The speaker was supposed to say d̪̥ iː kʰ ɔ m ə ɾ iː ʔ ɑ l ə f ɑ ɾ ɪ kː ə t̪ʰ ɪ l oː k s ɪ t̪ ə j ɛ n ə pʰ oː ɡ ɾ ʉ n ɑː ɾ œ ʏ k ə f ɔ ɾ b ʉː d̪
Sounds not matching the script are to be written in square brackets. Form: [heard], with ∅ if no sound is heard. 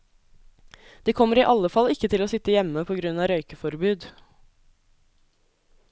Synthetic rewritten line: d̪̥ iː kʰ ɔ m ə ɾ iː ʔ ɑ l ə f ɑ [l] ɪ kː ə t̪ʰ ɪ l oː [∅] s ɪ t̪ ə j ɛ [m] ə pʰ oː ɡ ɾ ʉ n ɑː ɾ œ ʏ k ə f ɔ ɾ b ʉː d̪